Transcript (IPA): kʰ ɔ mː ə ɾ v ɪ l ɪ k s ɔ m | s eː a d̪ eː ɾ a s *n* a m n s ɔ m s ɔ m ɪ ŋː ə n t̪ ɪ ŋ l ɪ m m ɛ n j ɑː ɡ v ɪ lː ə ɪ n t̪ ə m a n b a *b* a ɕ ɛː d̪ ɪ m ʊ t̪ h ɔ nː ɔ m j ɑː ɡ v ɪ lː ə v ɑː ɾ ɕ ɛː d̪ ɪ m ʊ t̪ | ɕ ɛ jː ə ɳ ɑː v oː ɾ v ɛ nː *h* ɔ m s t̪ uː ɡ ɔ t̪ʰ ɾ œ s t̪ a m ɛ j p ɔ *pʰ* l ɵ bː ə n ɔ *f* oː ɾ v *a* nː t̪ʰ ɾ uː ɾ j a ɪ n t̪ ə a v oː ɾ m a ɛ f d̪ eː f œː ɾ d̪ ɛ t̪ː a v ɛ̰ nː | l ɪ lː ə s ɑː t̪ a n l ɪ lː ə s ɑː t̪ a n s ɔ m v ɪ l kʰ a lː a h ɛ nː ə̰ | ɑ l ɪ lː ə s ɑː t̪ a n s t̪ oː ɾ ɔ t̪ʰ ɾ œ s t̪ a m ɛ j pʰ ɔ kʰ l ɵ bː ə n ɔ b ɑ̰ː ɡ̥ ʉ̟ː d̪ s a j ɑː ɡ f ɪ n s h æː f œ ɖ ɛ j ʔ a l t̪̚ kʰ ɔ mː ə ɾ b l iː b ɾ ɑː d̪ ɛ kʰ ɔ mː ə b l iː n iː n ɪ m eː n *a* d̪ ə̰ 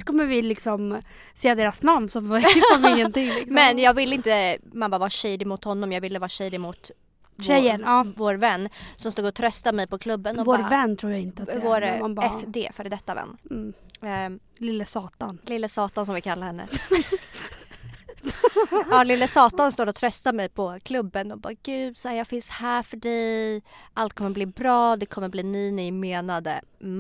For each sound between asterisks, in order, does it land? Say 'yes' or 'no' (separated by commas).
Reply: yes, no, no, no, no, no, yes